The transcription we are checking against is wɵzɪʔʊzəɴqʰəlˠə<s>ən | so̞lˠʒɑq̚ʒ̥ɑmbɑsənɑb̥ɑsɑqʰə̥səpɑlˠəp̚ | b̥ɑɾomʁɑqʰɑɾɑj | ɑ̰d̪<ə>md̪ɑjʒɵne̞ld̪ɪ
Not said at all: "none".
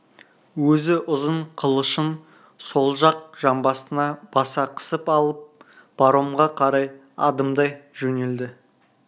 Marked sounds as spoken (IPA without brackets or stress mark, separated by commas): ʃ, ə